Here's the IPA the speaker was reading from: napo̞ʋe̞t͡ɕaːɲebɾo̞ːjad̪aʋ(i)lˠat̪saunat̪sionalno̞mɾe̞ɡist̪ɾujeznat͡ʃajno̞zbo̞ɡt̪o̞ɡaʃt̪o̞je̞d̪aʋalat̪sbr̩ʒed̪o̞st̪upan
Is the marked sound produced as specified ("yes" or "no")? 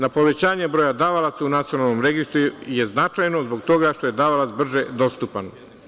no